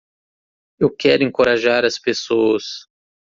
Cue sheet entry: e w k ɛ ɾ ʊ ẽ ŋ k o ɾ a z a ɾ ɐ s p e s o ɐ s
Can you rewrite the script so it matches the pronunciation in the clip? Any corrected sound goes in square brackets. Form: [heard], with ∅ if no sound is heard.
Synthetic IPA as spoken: e w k ɛ ɾ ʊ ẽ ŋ k o ɾ a [ʒ] a ɾ ɐ s p e s o ɐ s